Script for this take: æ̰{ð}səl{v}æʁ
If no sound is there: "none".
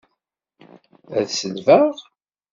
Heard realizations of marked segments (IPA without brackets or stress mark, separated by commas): ð, v